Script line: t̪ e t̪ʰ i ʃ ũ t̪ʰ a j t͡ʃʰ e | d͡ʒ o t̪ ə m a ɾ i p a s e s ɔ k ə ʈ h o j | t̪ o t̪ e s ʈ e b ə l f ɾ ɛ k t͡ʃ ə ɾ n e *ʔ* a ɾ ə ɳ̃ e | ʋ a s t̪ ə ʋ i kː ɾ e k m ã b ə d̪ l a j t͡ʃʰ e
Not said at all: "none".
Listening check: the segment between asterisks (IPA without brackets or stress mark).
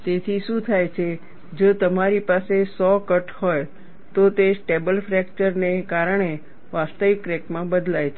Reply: k